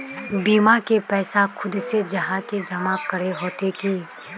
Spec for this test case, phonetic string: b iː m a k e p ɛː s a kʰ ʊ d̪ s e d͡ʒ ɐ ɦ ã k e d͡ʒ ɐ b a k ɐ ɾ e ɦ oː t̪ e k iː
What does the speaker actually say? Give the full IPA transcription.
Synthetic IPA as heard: b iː m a k e p ɛː s a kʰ ʊ d̪ s e d͡ʒ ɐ ɦ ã k e d͡ʒ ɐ m a k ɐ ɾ e ɦ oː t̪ e k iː

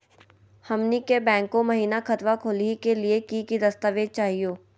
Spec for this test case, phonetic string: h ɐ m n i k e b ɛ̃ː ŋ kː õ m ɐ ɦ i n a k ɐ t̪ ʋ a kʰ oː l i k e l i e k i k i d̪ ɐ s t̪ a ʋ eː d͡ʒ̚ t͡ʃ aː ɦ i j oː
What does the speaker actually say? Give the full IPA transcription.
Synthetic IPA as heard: h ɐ m n i k e b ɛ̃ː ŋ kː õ m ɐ ɦ iː n a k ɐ t̪ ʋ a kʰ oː l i k e l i e k i k i d̪ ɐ s t̪ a ʋ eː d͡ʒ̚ t͡ʃ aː ɦ i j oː

